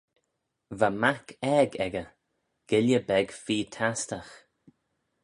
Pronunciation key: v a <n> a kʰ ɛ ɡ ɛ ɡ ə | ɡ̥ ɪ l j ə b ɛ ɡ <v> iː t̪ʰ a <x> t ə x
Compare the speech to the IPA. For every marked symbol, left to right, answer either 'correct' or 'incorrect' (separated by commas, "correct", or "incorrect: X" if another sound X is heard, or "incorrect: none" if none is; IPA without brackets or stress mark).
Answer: incorrect: m, incorrect: f, incorrect: s